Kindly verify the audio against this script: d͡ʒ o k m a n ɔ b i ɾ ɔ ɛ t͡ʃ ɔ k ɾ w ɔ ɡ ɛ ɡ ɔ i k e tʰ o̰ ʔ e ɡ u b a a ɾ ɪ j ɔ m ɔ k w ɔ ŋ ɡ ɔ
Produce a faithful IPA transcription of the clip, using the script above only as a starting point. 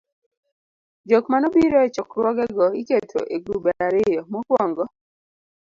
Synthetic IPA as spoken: d͡ʒ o k m a n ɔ b i ɾ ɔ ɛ t͡ʃ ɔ k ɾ w ɔ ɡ ɛ ɡ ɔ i k e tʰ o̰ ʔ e ɡ u b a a ɾ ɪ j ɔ m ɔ k w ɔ ŋ ɡ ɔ